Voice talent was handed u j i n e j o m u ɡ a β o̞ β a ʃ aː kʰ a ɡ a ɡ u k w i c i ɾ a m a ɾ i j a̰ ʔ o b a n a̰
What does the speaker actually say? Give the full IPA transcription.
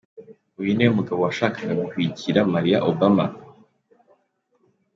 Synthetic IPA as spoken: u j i n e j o m u ɡ a β o̞ w a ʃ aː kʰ a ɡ a ɡ u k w i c i ɾ a m a ɾ i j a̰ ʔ o b a m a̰